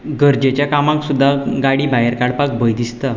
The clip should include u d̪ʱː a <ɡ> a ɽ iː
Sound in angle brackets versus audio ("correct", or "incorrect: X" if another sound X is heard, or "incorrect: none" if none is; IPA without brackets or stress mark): correct